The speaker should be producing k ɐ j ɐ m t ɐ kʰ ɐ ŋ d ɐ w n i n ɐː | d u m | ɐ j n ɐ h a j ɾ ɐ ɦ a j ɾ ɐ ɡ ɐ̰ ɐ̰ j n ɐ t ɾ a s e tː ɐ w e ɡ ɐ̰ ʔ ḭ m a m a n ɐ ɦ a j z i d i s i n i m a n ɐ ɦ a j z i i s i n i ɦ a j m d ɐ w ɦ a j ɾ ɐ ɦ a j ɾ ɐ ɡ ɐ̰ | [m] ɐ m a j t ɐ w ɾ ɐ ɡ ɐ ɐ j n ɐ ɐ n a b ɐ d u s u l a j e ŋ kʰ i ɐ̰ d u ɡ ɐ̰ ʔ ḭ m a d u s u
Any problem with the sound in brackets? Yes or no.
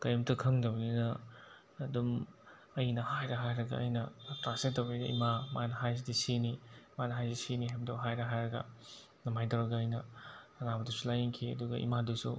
yes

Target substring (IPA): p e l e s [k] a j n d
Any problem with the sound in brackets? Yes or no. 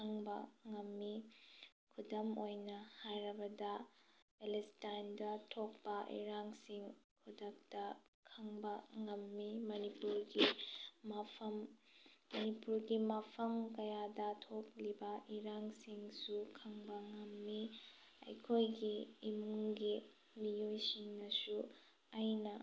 yes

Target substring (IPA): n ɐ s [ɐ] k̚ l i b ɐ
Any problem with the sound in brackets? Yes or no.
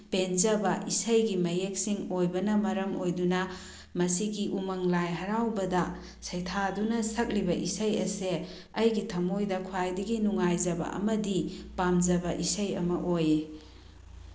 no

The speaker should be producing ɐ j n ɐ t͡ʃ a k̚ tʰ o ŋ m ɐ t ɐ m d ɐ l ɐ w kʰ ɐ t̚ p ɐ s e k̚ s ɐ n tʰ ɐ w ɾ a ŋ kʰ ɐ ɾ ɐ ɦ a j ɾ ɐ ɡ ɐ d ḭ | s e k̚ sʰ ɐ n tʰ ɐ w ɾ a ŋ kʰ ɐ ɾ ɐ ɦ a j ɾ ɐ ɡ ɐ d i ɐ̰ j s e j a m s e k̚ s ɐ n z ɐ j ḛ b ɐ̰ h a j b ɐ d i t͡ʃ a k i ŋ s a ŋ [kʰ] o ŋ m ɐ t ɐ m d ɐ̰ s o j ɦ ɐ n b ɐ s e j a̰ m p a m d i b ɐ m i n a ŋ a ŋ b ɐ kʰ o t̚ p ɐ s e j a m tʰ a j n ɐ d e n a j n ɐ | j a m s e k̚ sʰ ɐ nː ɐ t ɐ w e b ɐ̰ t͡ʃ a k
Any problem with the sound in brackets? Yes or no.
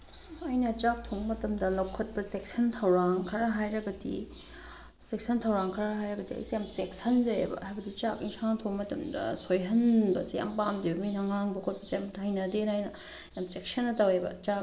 yes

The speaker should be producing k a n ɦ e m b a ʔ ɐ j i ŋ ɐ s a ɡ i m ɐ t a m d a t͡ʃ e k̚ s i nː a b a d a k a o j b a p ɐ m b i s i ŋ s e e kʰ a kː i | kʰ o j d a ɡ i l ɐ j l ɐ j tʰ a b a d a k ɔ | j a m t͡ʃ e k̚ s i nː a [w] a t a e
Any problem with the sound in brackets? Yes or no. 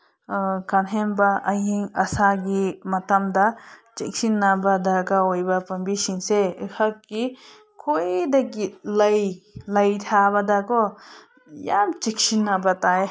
yes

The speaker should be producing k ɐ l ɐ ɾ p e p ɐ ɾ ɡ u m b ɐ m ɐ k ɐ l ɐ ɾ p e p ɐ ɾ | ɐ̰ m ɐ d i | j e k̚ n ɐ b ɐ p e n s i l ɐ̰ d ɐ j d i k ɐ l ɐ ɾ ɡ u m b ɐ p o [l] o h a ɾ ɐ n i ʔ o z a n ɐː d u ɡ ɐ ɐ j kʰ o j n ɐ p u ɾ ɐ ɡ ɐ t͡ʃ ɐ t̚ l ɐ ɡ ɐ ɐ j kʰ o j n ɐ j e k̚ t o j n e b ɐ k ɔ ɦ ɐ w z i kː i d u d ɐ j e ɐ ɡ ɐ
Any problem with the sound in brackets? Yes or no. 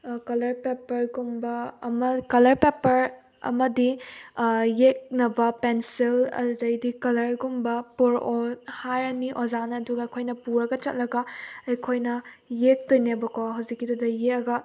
yes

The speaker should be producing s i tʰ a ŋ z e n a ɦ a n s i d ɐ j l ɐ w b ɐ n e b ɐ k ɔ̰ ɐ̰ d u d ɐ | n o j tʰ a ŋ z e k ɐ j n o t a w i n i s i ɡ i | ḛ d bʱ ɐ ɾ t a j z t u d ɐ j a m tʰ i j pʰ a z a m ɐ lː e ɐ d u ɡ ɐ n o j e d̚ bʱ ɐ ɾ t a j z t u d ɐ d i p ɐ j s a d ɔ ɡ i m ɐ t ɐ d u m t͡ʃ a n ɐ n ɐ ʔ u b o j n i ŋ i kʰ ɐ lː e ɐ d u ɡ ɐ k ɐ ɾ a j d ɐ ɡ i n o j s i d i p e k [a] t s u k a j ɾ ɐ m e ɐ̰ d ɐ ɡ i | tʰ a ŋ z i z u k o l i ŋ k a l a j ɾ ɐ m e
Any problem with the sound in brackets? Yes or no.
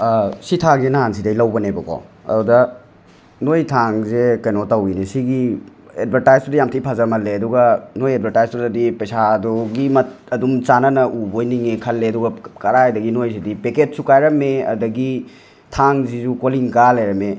yes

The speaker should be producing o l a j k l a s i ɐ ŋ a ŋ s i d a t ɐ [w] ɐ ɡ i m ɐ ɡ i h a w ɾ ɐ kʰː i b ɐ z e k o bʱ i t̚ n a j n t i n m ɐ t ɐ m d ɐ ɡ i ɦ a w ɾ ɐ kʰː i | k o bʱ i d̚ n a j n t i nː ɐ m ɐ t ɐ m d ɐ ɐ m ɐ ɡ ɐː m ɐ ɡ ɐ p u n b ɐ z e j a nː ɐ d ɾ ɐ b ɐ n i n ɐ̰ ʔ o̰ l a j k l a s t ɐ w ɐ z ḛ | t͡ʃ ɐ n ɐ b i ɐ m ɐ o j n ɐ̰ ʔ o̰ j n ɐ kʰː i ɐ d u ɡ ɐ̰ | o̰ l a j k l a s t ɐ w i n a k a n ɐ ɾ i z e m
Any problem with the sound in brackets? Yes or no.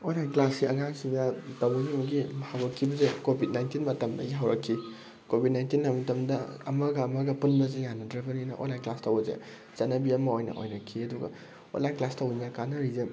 no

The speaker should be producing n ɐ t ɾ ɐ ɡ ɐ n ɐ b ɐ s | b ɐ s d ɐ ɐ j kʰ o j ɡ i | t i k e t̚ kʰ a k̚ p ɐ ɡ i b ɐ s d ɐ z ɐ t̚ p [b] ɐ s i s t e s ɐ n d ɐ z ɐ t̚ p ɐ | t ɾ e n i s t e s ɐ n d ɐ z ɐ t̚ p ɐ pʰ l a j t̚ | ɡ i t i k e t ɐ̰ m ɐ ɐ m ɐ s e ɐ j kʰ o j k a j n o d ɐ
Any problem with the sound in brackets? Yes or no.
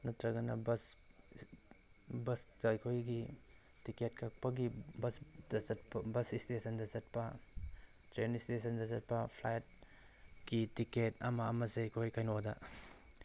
no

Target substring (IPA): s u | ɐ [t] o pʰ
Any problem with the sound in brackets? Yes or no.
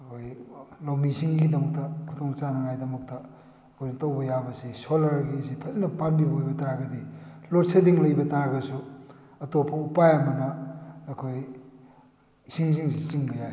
no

